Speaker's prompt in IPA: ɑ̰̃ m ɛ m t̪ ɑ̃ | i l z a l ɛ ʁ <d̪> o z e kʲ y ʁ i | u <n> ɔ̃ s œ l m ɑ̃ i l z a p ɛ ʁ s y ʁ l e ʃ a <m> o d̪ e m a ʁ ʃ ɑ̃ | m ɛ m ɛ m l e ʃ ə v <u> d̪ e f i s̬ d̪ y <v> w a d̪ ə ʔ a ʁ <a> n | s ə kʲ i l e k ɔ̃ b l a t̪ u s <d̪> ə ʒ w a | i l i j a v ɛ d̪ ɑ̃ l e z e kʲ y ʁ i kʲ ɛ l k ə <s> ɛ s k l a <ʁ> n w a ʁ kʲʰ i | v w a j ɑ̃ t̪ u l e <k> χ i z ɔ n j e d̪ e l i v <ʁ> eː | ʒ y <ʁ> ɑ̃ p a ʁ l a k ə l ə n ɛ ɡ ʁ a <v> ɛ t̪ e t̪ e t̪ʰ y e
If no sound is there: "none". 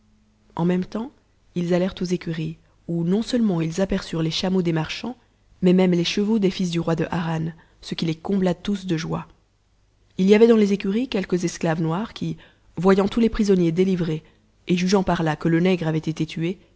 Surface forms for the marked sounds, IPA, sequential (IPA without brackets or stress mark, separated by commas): t̪, n, m, o, ʁ, a, d̪, z, v, p, ʁ, ʒ, v